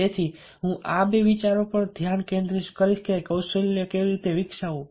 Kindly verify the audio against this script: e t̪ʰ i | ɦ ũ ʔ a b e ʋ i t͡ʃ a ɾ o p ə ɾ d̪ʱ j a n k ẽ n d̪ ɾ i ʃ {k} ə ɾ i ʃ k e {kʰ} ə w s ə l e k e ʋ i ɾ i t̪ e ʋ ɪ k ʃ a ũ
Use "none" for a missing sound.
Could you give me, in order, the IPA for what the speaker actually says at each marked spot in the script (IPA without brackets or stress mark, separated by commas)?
k, k